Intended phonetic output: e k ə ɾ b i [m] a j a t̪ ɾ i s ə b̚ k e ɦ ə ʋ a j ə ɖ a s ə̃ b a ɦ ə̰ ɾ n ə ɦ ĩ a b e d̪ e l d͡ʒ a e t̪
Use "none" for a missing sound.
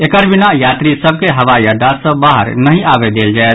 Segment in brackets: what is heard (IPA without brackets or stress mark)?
n